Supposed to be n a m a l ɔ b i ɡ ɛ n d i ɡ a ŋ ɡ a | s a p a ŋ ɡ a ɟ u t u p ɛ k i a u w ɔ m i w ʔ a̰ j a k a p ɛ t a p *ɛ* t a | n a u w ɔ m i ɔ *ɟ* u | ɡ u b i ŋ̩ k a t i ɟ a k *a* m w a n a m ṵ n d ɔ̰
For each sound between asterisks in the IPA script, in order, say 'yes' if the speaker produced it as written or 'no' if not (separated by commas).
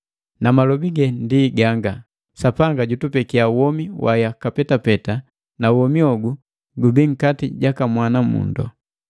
yes, no, yes